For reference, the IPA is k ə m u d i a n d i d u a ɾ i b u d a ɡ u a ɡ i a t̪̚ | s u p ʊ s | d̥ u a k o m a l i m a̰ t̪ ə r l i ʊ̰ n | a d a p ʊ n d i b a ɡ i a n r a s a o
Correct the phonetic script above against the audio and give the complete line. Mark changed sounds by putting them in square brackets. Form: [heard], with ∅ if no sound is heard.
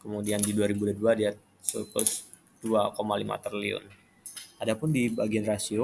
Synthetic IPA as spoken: k ə m u d i a n d i d u a ɾ i b u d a [d] u a [d] i a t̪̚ | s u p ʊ s | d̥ u a k o m a l i m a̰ t̪ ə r l i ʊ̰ n | a d a p ʊ n d i b a ɡ i a n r a s [i] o

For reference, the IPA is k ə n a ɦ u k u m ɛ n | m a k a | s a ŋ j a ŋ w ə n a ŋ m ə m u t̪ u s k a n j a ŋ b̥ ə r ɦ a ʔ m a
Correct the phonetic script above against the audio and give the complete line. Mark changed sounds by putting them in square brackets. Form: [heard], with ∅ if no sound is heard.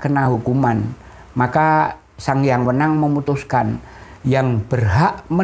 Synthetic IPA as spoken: k ə n a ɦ u k u m [a] n | m a k a | s a ŋ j a ŋ w ə n a ŋ m ə m u t̪ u s k a n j a ŋ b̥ ə r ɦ a ʔ m [ə]

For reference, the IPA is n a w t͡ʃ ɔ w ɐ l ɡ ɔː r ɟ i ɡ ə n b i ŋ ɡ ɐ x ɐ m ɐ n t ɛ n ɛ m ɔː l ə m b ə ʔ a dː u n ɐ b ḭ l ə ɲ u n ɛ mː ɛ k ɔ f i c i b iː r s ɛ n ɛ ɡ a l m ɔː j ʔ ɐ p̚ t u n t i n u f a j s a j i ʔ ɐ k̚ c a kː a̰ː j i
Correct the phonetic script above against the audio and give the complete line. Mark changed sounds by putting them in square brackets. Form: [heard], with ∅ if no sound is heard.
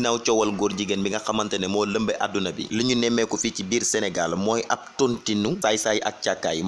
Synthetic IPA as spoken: n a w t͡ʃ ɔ w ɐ l ɡ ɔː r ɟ i ɡ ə n b i ŋ ɡ ɐ x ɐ m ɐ n t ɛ n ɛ m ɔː l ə m b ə ʔ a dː u n ɐ b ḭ l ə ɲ u n ɛ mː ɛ k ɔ f i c i b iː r s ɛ n ɛ ɡ a l m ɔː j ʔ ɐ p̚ t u n t i n u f a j s a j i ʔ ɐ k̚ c a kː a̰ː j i

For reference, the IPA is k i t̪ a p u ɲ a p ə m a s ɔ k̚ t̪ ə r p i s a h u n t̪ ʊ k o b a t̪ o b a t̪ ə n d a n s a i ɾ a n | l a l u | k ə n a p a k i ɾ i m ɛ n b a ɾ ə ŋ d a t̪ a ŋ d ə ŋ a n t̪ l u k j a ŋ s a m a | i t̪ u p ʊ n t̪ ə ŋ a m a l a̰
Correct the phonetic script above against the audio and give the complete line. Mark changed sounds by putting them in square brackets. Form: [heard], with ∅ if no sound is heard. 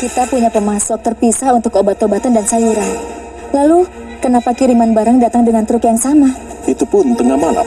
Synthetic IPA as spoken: k i t̪ a p u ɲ a p ə m a s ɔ k̚ t̪ ə r p i s a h u n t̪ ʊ k o b a t̪ o b a t̪ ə n d a n s a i ɾ a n | l a l u | k ə n a p a k i ɾ i m [a] n b a ɾ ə ŋ d a t̪ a ŋ d ə ŋ a n t̪ [ɾ] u k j a ŋ s a m a | i t̪ u p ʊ n t̪ ə ŋ a m a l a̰

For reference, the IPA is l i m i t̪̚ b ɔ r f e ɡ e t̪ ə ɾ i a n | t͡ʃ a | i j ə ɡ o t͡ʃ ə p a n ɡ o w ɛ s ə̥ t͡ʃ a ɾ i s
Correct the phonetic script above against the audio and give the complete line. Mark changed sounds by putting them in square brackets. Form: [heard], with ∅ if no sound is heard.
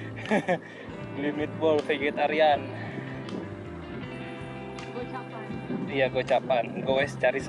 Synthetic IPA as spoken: l i m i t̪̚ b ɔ [l] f e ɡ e t̪ [a] ɾ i a n | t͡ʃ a | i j [a] ɡ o t͡ʃ [a] p a n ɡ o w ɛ s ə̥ t͡ʃ a ɾ i s

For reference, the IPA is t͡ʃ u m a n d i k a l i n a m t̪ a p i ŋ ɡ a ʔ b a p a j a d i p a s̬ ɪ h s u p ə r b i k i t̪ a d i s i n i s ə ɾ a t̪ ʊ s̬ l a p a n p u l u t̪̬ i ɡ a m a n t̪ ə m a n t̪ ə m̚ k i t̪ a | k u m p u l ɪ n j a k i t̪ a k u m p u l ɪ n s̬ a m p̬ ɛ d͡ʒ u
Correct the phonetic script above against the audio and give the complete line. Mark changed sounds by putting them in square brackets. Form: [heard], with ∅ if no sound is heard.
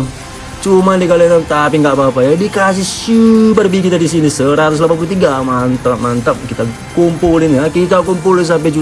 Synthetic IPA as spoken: t͡ʃ u m a n d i k a l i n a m t̪ a p i ŋ ɡ a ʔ b a p a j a d i [k] a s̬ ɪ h s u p ə r b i k i t̪ a d i s i n i s ə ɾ a t̪ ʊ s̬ l a p a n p u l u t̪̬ i ɡ a m a n t̪ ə m a n t̪ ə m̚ k i t̪ a | k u m p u l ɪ n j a k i t̪ a k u m p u l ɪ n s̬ a m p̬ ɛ d͡ʒ u

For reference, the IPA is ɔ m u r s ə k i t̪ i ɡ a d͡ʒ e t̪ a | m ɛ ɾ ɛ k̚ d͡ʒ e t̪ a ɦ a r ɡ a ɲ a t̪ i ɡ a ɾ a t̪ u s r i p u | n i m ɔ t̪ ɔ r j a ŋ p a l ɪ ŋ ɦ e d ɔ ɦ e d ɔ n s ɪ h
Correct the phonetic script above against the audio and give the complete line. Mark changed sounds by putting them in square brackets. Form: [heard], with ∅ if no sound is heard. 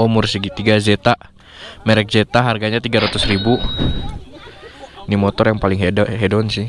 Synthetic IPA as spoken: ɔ m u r s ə [ɡ] i t̪ i ɡ a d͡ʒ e t̪ a | m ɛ ɾ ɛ k̚ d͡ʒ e t̪ a ɦ a r ɡ a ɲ a t̪ i ɡ a ɾ a t̪ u s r i [b] u | n i m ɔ t̪ ɔ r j a ŋ p a l ɪ ŋ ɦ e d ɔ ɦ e d ɔ n s ɪ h

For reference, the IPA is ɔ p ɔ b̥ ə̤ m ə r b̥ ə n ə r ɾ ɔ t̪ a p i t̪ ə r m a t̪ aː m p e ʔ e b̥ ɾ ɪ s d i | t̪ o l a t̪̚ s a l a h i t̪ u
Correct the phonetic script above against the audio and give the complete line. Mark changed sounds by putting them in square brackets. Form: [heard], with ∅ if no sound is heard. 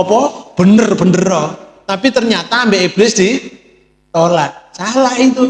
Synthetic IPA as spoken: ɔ p ɔ b̥ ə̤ [n] ə r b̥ ə n ə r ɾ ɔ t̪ a p i t̪ ə r [ɲ] a t̪ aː m [b] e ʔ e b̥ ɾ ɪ s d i | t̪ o l a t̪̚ s a l a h i t̪ u

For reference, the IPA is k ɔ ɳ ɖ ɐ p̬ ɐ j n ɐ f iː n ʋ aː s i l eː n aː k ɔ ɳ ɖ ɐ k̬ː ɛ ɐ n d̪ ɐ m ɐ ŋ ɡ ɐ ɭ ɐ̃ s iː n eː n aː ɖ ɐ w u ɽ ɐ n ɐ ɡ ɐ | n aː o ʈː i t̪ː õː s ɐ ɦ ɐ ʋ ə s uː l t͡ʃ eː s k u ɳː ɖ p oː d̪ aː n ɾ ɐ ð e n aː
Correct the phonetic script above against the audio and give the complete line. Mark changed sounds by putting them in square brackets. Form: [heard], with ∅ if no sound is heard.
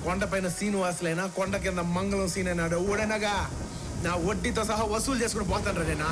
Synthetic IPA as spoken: k ɔ ɳ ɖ ɐ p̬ ɐ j n ɐ [s] iː n ʋ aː s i l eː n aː k ɔ ɳ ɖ ɐ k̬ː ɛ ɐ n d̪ ɐ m ɐ ŋ ɡ ɐ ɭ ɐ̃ s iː n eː n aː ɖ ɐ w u ɽ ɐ n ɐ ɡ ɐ | n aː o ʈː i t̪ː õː s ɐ ɦ ɐ ʋ [ɐ] s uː l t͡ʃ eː s k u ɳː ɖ p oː [t̪] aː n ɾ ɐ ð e n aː

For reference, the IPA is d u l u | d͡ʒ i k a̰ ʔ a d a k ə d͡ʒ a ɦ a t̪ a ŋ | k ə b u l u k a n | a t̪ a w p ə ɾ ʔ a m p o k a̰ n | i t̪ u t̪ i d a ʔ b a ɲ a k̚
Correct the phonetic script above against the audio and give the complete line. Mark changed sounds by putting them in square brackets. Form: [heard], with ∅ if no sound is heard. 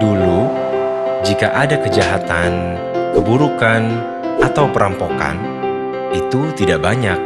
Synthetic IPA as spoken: d u l u | d͡ʒ i k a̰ ʔ a d a k ə d͡ʒ a ɦ a t̪ a [n] | k ə b u [ɾ] u k a n | a t̪ a w p ə ɾ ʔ a m p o k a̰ n | i t̪ u t̪ i d a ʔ b a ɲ a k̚

